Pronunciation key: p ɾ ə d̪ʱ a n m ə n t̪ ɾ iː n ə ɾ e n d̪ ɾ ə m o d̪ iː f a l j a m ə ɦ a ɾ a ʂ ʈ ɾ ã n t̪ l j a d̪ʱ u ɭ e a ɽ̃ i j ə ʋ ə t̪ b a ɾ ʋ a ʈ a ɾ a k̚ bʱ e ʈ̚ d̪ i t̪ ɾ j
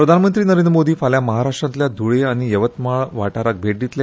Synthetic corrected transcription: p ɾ ə d̪ʱ a n m ə n t̪ ɾ iː n ə ɾ e n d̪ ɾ ə m o d̪ iː f a l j a m ə ɦ a ɾ a ʂ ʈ ɾ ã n t̪ l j a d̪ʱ u ɭ e a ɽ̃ i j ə ʋ ə t̪ m a ɭ ʋ a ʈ a ɾ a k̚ bʱ e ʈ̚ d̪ i t̪ l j

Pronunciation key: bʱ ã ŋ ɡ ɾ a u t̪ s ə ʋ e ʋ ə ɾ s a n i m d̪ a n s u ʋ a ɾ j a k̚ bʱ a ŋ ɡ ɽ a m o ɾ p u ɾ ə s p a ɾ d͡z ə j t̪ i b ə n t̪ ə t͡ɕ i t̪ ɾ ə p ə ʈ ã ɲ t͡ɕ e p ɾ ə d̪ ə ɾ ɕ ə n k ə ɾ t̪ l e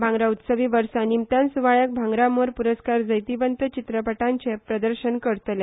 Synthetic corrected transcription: bʱ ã ŋ ɡ ɾ a u t̪ s ə ʋ i ʋ ə ɾ s a n i m t̪ a n s u ʋ a ɭ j a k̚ bʱ a ŋ ɡ ɾ a m o ɾ p u ɾ ə s k a ɾ d͡z ə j t̪ i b ə n t̪ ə t͡ɕ i t̪ ɾ ə p ə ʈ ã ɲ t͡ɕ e p ɾ ə d̪ ə ɾ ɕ ə n k ə ɾ t̪ l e

